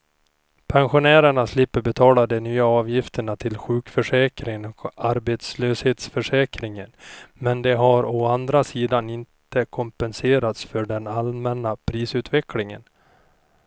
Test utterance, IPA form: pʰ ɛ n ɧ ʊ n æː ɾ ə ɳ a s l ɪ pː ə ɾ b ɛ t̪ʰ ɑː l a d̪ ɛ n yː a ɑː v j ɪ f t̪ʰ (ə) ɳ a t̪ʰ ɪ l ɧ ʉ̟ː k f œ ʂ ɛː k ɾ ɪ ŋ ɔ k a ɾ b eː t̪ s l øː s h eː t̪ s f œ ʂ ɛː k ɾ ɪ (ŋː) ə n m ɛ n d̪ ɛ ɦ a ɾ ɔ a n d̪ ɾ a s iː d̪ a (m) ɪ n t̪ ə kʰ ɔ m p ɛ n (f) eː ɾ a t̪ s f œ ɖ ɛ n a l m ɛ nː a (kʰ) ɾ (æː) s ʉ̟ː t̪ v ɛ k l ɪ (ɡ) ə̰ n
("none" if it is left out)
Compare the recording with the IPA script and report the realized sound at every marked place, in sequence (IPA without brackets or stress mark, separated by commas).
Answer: ə, ŋ, n, s, pʰ, iː, ŋ